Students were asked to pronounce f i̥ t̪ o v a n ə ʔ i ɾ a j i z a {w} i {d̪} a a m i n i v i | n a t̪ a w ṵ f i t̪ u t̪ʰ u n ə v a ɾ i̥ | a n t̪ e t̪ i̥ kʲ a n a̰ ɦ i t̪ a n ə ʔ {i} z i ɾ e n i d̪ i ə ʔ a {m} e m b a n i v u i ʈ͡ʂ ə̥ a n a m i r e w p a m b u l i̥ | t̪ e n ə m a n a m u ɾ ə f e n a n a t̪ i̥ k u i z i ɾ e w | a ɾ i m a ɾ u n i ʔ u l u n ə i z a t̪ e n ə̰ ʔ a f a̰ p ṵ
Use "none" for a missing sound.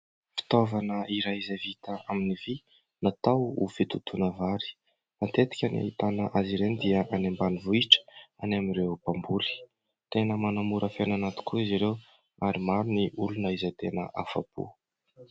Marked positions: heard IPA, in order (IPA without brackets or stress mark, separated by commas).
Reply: v, t̪, a, n